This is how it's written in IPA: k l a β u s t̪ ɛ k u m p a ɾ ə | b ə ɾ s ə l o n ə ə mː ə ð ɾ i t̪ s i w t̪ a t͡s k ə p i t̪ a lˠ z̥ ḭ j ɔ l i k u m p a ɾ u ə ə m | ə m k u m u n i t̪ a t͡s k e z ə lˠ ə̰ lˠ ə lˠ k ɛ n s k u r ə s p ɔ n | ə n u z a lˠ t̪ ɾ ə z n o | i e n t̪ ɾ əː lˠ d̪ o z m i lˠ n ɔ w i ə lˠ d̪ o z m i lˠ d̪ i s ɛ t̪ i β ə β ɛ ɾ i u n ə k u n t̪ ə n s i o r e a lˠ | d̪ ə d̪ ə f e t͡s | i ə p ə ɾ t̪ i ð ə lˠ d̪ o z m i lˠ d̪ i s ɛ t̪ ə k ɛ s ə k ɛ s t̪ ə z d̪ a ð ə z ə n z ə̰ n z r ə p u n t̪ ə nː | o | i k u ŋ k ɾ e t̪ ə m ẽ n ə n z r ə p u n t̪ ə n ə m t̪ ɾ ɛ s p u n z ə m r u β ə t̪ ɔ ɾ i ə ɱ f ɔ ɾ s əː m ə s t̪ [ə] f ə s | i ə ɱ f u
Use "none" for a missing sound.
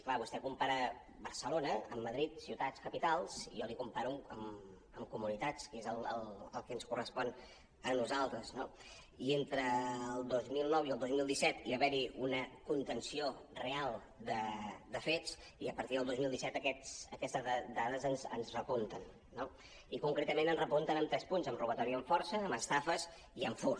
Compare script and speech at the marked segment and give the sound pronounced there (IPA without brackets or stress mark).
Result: a